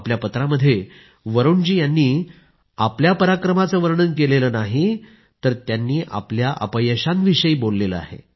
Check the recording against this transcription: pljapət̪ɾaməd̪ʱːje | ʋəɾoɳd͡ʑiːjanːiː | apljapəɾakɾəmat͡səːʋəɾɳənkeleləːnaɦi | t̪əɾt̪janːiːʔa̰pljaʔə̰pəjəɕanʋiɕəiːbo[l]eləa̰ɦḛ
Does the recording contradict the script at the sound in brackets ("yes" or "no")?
yes